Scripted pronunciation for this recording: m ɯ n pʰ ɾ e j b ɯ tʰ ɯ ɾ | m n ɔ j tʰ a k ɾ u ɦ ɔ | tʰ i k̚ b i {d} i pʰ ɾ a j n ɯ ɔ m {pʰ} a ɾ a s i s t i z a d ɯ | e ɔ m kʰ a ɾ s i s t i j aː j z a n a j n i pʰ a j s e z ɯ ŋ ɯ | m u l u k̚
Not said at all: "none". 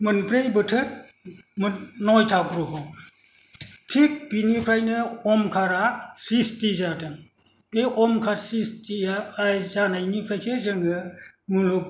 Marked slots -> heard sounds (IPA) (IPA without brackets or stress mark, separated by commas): n, kʰ